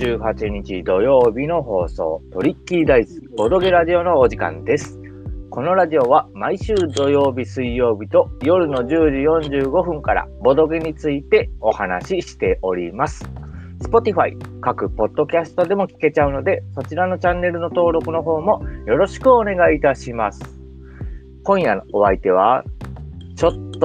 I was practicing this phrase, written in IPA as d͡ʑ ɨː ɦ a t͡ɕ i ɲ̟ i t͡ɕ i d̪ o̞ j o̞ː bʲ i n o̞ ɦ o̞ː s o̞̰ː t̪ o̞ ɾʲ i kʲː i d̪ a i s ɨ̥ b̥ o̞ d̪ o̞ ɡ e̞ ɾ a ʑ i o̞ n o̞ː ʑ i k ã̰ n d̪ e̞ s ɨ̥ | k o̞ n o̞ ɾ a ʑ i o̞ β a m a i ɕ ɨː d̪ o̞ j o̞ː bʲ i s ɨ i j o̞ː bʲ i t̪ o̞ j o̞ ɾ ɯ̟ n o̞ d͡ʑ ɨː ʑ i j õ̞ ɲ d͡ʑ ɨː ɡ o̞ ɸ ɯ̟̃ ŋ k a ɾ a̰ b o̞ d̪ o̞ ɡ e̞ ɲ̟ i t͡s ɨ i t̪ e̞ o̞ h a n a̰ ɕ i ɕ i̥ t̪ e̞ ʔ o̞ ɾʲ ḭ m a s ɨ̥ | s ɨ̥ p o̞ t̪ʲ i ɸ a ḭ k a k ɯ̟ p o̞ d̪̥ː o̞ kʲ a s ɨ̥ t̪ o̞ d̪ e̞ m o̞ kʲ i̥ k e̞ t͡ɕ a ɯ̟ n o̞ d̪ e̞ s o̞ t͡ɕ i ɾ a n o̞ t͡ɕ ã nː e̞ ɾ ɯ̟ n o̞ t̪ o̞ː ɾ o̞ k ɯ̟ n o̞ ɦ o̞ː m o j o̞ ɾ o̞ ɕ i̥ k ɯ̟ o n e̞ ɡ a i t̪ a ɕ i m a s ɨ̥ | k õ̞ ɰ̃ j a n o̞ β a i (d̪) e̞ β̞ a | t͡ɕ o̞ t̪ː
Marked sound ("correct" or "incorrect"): incorrect